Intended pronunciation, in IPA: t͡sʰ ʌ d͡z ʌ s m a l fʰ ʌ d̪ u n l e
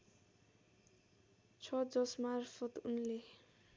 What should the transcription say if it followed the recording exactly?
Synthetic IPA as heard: t͡sʰ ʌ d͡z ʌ s m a r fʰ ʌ t̪ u n l e